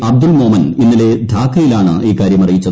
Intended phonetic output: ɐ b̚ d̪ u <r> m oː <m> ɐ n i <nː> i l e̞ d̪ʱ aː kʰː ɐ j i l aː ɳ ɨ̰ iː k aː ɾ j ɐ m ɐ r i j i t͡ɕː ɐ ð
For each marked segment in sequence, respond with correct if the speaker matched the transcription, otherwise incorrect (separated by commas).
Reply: incorrect, correct, correct